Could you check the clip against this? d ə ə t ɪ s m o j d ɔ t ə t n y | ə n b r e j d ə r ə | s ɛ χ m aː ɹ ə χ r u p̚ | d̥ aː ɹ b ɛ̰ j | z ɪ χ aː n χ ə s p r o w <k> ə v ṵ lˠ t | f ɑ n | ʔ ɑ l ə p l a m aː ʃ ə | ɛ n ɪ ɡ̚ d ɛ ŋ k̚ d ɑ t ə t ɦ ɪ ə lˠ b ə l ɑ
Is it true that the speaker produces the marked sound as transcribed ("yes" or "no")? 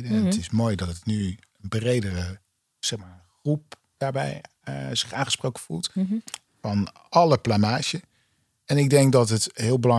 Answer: yes